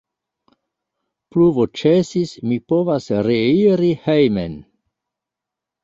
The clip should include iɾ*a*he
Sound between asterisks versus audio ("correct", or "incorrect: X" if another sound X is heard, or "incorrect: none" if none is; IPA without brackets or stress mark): incorrect: i